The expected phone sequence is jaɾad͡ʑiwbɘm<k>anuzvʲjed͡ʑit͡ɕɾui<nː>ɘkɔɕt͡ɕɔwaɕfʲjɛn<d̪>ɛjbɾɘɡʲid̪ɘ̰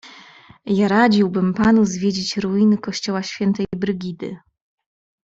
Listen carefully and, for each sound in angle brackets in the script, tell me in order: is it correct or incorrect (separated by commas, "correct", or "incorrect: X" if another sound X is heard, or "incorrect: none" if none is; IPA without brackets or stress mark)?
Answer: incorrect: p, incorrect: n, incorrect: t̪